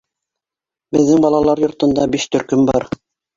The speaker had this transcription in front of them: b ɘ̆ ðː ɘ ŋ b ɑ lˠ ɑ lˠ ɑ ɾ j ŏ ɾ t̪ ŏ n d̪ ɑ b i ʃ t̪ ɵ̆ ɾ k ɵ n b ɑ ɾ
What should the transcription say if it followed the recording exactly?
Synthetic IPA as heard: b ɘ̆ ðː ɘ ŋ b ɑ lˠ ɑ lˠ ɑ ɾ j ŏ ɾ t̪ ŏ n d̪ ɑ b i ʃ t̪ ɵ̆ ɾ k ɵ m b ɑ ɾ